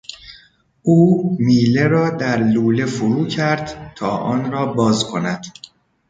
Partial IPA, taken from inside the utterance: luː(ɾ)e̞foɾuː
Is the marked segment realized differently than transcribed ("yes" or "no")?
yes